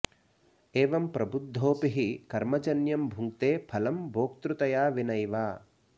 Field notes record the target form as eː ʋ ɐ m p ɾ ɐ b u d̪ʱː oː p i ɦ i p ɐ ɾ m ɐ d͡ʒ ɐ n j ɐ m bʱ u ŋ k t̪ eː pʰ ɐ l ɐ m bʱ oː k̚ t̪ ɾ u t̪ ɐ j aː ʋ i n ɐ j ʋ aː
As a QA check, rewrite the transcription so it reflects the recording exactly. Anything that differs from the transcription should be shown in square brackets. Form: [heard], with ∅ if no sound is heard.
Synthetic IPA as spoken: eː ʋ ɐ m p ɾ ɐ b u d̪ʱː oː p i ɦ i [k] ɐ ɾ m ɐ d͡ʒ ɐ n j ɐ m bʱ u ŋ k t̪ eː pʰ ɐ l ɐ m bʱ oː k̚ t̪ ɾ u t̪ ɐ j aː ʋ i n ɐ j ʋ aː

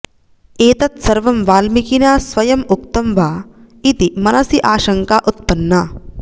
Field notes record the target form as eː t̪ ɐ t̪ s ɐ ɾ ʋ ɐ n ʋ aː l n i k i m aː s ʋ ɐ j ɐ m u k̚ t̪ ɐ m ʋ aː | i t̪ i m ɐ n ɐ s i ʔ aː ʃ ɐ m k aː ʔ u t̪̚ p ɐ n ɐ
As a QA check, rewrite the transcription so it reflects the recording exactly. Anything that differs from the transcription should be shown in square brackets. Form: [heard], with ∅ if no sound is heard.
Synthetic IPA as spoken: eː t̪ ɐ t̪ s ɐ ɾ ʋ ɐ [m] ʋ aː l [m] i k i [n] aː s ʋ ɐ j ɐ m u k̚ t̪ ɐ m ʋ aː | i t̪ i m ɐ n ɐ s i ʔ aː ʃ ɐ [ŋ] k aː ʔ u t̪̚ p ɐ [nː] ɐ

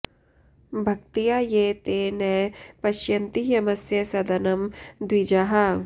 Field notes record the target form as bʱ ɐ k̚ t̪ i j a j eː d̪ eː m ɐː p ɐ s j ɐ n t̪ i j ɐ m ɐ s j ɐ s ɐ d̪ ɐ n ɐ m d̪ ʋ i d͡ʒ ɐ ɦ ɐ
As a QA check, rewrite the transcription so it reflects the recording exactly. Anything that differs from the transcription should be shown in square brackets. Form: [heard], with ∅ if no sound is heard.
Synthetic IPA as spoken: bʱ ɐ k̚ t̪ i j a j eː [t̪] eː [n] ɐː p ɐ [ʃ] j ɐ n t̪ i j ɐ m ɐ s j ɐ s ɐ d̪ ɐ n ɐ m d̪ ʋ i d͡ʒ ɐ ɦ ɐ

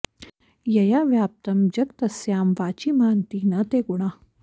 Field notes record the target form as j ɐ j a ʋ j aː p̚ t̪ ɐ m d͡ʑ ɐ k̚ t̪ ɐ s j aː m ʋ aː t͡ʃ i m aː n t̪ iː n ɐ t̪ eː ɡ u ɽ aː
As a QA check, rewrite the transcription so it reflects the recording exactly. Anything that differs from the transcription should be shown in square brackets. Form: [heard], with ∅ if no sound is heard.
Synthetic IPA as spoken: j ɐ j a ʋ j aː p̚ t̪ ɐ m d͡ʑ ɐ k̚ t̪ ɐ s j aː m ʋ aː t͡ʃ i m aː n t̪ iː n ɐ t̪ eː ɡ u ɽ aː

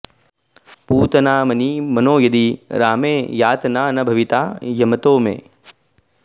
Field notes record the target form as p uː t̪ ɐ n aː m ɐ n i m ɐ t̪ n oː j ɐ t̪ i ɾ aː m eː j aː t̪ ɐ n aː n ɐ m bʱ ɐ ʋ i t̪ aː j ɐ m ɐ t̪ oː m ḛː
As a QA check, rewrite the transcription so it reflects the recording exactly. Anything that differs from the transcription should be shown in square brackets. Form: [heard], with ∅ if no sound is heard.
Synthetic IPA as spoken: p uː t̪ ɐ n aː m ɐ n i m ɐ [∅] n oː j ɐ [d̪] i ɾ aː m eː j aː t̪ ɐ n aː n ɐ [∅] bʱ ɐ ʋ i t̪ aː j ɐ m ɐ t̪ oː m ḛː

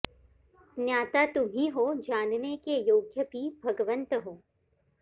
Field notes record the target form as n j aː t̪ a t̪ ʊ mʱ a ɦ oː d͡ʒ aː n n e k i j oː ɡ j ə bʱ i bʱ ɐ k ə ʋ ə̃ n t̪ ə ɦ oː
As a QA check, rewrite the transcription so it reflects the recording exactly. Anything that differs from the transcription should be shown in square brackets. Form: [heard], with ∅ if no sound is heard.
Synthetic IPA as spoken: n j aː t̪ a t̪ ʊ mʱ [i] ɦ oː d͡ʒ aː n n e k [e] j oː ɡ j ə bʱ i bʱ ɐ [ɡ] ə ʋ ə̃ n t̪ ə ɦ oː

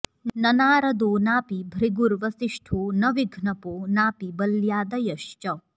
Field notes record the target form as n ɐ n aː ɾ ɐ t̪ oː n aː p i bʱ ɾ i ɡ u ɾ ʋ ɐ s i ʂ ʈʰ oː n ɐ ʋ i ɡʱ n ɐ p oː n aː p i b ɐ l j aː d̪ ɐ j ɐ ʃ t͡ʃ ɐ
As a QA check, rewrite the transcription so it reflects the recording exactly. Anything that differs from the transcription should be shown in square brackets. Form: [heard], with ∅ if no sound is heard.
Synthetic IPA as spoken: n ɐ n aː ɾ ɐ [d̪] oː n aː p i bʱ ɾ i ɡ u ɾ ʋ ɐ s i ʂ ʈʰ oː n ɐ ʋ i ɡʱ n ɐ p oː n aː p i b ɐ l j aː d̪ ɐ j ɐ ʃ t͡ʃ ɐ

